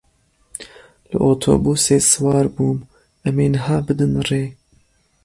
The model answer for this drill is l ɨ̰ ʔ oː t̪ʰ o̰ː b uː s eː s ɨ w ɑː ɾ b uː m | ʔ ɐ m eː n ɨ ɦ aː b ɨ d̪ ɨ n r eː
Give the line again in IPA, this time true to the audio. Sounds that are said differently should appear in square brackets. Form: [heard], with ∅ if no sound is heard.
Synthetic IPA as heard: l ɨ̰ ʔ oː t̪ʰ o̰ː b uː s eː s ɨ w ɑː ɾ b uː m | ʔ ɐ m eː n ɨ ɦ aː b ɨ d̪ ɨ n r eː